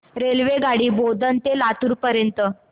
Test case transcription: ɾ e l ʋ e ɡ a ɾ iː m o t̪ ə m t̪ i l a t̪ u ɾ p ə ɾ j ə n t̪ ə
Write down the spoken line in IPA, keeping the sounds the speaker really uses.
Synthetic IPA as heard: ɾ e l ʋ e ɡ a ɽ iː b o d̪ ə n t̪ e l a t̪ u ɾ p ə ɾ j ə n t̪ ə